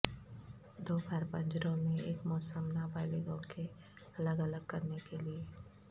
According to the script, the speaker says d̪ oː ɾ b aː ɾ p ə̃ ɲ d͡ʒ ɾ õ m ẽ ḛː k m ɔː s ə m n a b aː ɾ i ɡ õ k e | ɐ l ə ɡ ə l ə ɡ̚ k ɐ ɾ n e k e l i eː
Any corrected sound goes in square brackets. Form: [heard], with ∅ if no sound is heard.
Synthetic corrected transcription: d̪ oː [∅] b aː ɾ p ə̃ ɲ d͡ʒ ɾ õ m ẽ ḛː k m ɔː s ə m n a b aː [l] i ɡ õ k e | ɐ l ə ɡ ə l ə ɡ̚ k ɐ ɾ n e k e l i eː

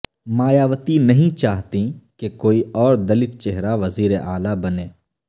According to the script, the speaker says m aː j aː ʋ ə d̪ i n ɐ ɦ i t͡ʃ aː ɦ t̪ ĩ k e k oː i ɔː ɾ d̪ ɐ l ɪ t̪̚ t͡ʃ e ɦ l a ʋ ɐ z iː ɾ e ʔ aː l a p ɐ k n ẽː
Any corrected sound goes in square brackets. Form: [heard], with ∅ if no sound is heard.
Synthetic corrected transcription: m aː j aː ʋ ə [t̪] i n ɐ ɦ [ĩ] t͡ʃ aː ɦ t̪ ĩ k e k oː i ɔː ɾ d̪ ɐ l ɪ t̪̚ t͡ʃ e ɦ [ɾ] a ʋ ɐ z iː ɾ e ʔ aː l a [b] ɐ [∅] n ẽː

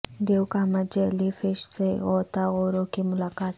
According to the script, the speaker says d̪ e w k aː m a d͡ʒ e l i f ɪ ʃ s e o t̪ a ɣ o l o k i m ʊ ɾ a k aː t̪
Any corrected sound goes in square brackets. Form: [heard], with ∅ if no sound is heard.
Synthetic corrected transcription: d̪ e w k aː m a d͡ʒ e l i f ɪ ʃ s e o t̪ a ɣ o [ɾ] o k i m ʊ [l] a k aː t̪

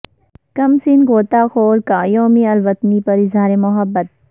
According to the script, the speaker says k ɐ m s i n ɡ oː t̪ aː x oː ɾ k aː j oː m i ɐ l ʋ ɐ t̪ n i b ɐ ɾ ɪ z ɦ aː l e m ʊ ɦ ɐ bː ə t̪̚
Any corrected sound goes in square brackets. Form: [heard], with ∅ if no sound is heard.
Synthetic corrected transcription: k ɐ m s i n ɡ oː t̪ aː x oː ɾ k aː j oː m i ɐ l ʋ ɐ t̪ n i [p] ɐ ɾ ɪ z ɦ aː [ɾ] e m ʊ ɦ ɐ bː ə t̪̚

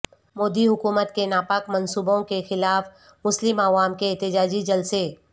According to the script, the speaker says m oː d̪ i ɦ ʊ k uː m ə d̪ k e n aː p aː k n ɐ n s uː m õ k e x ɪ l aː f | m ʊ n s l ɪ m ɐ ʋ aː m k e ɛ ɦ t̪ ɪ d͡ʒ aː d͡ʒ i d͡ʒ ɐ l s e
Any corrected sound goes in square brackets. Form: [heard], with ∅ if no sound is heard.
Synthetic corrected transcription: m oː d̪ i ɦ ʊ k uː m ə [t̪] k e n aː p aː k [m] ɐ n s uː [b] õ k e x ɪ l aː f | m ʊ [∅] s l ɪ m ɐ ʋ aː m k e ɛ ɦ t̪ ɪ d͡ʒ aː d͡ʒ i d͡ʒ ɐ l s e

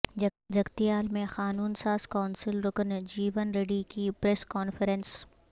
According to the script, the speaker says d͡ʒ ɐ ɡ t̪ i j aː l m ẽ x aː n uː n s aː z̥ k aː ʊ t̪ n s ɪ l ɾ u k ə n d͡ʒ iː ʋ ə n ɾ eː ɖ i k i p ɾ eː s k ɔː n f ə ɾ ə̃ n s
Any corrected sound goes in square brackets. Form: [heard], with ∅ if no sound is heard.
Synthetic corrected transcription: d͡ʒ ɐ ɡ t̪ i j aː l m ẽ x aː n uː n s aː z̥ k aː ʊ [∅] n s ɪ l ɾ [ʊ] k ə n d͡ʒ iː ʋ ə n ɾ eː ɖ i k i p ɾ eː s k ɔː n f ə ɾ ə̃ n s

